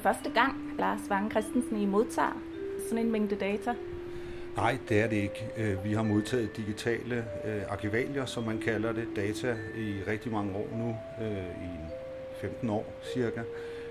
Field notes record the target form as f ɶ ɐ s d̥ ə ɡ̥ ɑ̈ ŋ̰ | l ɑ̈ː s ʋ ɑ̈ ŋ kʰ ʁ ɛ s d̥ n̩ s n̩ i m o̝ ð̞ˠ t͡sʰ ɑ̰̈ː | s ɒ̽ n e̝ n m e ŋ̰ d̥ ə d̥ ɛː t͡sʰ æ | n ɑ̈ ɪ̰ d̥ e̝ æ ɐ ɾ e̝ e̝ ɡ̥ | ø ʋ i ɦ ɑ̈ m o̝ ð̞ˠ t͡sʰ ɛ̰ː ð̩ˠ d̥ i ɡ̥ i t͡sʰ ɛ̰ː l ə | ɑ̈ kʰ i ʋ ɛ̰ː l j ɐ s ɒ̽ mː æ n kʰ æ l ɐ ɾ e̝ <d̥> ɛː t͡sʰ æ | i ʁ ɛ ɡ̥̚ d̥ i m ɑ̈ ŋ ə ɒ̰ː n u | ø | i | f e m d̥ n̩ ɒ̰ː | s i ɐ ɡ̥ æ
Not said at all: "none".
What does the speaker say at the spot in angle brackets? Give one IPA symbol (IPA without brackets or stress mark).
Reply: d̥